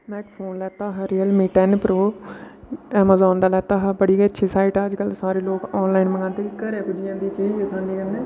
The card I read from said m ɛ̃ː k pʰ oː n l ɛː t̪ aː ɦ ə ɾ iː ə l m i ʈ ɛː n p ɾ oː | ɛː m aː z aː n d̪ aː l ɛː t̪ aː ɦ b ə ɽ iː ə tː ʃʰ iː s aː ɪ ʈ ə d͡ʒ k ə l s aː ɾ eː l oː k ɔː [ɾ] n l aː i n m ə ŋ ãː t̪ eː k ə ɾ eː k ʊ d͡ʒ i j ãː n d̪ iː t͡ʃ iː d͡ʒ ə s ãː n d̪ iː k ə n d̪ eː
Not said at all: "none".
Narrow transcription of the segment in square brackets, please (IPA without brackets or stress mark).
none